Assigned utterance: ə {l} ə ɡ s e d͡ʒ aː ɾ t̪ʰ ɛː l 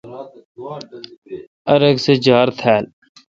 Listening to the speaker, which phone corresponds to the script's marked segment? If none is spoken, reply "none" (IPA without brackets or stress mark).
ɾ